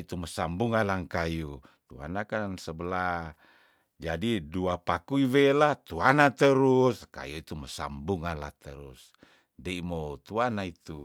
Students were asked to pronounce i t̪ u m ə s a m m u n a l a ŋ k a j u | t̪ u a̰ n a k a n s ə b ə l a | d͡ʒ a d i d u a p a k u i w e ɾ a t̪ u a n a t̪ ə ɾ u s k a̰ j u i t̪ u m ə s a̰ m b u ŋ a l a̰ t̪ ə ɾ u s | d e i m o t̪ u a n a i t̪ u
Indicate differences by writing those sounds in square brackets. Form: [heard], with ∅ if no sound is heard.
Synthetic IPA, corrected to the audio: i t̪ u m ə s a m [b] u [ŋ] a l a ŋ k a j u | t̪ u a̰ n a k a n s ə b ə l a | d͡ʒ a d i d u a p a k u i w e [l] a t̪ u a n a t̪ ə ɾ u s k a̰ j u i t̪ u m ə s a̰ m b u ŋ a l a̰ t̪ ə ɾ u s | d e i m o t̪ u a n a i t̪ u